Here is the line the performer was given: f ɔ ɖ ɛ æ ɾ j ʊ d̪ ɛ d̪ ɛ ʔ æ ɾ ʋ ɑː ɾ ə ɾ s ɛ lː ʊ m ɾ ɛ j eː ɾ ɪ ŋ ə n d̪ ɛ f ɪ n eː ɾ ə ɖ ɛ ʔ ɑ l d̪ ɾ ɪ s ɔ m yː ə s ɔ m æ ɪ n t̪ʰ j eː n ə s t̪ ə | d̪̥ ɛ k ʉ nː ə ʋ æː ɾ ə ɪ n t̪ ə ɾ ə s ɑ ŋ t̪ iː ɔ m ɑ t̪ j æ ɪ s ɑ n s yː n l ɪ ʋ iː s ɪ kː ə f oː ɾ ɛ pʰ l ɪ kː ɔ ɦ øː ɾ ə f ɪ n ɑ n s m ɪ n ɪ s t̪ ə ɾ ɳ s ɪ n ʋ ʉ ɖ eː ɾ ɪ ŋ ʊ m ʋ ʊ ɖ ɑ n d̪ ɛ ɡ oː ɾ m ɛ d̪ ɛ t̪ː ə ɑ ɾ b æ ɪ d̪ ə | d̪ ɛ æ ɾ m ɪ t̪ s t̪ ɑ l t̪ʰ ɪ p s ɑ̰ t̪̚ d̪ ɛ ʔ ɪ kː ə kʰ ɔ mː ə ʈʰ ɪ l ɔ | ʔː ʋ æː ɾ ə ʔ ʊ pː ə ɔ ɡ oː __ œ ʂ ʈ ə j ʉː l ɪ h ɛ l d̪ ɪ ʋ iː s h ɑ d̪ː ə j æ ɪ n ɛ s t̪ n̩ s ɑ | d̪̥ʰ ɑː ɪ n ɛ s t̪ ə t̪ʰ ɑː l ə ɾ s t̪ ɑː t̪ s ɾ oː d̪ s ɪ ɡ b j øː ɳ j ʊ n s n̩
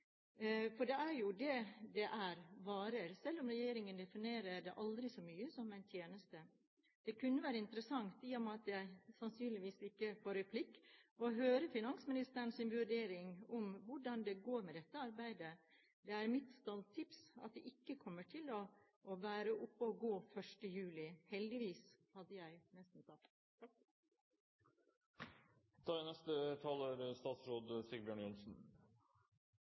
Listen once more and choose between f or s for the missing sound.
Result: f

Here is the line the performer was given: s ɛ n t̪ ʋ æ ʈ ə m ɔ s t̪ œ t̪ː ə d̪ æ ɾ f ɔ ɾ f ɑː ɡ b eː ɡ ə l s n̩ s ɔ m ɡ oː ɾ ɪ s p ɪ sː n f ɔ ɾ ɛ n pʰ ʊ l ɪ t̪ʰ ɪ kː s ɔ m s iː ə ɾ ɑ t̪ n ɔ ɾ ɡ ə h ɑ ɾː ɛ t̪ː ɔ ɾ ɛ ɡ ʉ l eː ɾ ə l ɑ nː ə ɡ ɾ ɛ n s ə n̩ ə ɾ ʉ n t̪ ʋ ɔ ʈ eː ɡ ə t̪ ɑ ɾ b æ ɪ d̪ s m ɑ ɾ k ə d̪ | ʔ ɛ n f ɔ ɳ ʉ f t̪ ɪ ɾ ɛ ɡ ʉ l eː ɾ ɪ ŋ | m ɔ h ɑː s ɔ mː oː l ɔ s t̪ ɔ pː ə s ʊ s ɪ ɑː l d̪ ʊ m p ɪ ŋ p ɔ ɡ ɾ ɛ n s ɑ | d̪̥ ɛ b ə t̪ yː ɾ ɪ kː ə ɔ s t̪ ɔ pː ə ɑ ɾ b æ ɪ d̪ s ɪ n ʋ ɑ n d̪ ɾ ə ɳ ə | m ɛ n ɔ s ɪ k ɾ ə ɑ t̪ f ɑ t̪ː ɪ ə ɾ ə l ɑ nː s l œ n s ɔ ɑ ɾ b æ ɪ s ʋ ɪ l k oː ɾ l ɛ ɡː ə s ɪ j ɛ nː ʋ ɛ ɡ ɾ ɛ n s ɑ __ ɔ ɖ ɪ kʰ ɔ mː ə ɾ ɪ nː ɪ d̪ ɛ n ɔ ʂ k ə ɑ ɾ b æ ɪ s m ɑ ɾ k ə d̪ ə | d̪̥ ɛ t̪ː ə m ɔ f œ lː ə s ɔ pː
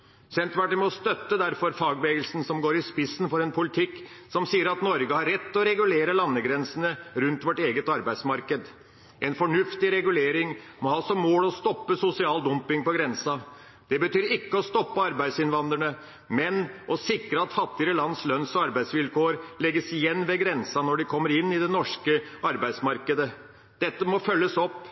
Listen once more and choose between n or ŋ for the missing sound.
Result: n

